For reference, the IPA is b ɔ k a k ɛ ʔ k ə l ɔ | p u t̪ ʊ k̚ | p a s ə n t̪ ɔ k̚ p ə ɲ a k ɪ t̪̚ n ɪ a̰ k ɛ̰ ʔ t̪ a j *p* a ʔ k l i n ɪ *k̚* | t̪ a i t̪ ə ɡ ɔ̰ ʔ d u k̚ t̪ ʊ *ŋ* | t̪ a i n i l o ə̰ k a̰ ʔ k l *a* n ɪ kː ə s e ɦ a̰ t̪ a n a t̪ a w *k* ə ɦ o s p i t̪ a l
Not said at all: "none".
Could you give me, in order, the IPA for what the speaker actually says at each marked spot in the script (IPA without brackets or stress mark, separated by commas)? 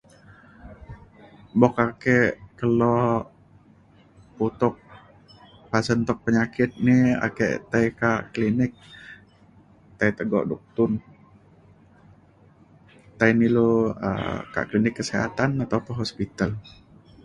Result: k, k̚, n, i, p